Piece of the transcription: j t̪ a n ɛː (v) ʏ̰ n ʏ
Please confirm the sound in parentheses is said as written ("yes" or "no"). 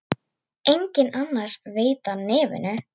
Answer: yes